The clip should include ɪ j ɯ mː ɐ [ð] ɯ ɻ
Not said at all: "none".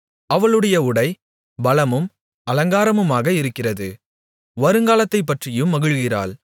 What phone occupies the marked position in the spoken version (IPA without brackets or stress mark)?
ɣ